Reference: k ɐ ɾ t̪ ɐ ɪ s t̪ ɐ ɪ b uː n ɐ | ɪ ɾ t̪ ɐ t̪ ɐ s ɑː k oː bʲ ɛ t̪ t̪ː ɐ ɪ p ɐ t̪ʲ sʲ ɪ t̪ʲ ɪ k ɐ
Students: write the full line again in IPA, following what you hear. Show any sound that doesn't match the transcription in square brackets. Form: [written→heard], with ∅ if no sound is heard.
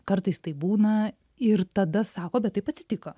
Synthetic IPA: k ɐ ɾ t̪ ɐ ɪ s t̪ ɐ ɪ b uː n ɐ | ɪ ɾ t̪ ɐ [t̪→d̪] ɐ s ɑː k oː bʲ ɛ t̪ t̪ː ɐ ɪ p ɐ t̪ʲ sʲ ɪ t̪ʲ ɪ k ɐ